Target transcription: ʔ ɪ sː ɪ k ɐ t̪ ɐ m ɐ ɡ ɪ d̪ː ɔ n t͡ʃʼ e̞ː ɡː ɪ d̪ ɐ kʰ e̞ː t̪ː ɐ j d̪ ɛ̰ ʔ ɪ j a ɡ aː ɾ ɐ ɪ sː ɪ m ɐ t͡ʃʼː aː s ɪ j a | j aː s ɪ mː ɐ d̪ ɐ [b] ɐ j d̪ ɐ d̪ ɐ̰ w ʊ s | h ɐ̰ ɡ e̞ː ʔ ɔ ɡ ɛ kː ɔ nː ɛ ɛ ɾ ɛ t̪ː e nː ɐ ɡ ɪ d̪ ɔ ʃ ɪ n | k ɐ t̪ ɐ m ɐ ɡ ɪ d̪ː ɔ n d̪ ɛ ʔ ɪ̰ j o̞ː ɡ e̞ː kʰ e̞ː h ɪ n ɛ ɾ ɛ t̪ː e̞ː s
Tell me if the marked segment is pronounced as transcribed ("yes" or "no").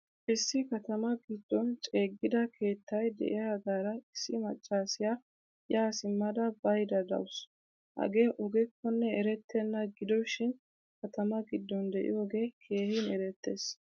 yes